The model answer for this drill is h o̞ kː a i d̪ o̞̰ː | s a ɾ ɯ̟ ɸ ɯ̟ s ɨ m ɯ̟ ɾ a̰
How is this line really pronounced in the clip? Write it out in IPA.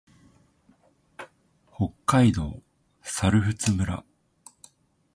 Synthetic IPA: h o̞ kː a i d̪ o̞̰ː | s a ɾ ɯ̟ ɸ ɯ̟ t͡s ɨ m ɯ̟ ɾ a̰

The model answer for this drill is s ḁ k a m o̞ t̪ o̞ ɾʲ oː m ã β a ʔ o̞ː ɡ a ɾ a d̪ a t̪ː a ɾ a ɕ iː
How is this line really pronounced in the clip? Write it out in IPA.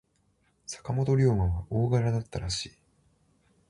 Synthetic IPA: s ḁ k a m o̞ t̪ o̞ ɾʲ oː m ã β a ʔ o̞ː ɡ a ɾ a d̪ a t̪ː a ɾ a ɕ iː

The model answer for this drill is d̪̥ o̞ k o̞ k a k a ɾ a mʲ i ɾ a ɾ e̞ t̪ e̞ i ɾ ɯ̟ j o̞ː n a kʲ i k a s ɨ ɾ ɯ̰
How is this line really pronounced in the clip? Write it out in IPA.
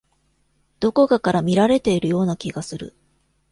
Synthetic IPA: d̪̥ o̞ k o̞ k a k a ɾ a mʲ i ɾ a ɾ e̞ t̪ e̞ i ɾ ɯ̟ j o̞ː n a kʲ i ɡ a s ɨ ɾ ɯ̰

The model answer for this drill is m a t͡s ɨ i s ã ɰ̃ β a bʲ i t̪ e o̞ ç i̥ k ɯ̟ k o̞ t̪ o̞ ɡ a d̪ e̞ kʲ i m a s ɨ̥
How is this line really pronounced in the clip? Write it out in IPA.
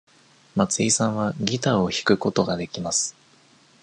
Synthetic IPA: m a t͡s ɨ i s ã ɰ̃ β a ɡʲ i t̪ a o̞ ç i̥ k ɯ̟ k o̞ t̪ o̞ ɡ a d̪ e̞ kʲ i m a s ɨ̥

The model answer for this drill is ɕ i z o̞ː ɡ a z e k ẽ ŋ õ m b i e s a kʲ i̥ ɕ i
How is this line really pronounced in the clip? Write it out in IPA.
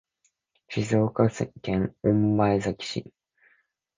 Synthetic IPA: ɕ i z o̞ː k a s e k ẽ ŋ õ m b a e z a kʲ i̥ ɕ i

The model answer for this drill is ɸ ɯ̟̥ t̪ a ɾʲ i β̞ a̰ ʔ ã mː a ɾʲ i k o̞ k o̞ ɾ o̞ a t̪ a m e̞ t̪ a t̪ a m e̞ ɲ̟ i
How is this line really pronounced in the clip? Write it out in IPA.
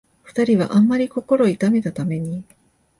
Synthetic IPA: ɸ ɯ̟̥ t̪ a ɾʲ i β̞ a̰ ʔ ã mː a ɾʲ i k o̞ k o̞ ɾ o̞ i t̪ a m e̞ t̪ a t̪ a m e̞ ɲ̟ i

